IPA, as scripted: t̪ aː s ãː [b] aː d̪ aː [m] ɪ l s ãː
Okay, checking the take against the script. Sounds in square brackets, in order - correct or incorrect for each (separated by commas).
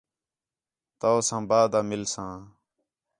correct, correct